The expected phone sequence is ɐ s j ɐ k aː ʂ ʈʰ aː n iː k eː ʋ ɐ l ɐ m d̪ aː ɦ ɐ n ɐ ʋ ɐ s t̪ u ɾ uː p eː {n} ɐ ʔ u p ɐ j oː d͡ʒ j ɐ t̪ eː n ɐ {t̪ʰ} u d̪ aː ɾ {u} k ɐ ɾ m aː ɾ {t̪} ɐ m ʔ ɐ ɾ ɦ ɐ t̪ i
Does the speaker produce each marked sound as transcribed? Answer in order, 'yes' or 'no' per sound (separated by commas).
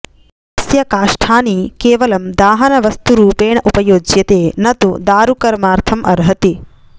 no, no, yes, no